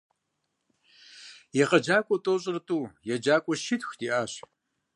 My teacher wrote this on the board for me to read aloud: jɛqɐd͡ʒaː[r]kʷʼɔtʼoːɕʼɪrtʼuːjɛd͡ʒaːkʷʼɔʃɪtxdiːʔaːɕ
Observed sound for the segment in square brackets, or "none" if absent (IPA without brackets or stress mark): none